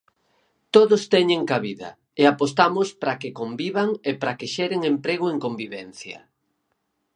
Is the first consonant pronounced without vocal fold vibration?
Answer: yes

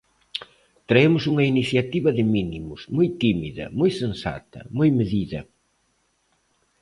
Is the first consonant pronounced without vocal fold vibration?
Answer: yes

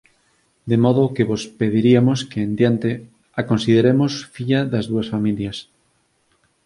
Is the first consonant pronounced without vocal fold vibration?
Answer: no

